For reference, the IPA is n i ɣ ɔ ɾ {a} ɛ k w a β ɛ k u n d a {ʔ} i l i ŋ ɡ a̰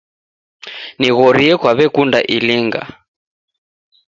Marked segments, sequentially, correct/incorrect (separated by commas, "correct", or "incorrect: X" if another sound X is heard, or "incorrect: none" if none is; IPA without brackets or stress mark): incorrect: i, correct